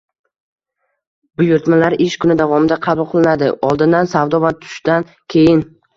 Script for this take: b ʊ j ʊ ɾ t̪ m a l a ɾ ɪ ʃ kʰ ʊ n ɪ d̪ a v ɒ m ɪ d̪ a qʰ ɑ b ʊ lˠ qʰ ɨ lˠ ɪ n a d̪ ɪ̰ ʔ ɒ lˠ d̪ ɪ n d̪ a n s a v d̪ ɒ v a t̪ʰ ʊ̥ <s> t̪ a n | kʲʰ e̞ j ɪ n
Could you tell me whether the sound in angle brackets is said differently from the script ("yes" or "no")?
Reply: yes